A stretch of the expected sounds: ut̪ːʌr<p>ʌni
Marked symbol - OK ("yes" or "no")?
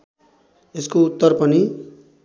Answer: yes